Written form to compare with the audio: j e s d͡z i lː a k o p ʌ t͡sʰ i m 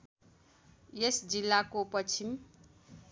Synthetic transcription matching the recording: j e s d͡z i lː a k o p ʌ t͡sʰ i m